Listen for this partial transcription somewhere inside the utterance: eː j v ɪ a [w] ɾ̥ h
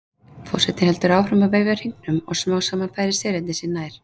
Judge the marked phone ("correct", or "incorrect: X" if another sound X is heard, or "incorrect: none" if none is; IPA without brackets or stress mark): incorrect: none